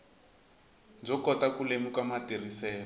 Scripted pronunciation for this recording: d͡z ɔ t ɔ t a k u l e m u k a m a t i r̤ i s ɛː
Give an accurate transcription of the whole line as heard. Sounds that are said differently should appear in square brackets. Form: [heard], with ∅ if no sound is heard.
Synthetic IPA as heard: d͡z ɔ [k] ɔ t a k u l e m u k a m a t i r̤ i s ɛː